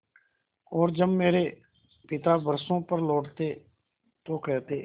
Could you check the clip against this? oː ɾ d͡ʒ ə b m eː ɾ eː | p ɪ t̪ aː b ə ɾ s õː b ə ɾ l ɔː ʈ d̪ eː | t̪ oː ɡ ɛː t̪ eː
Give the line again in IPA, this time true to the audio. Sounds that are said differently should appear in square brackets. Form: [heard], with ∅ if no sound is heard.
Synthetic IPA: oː ɾ d͡ʒ ə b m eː ɾ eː | p ɪ t̪ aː b ə ɾ s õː [p] ə ɾ l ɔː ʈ [t̪] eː | t̪ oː [k] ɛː t̪ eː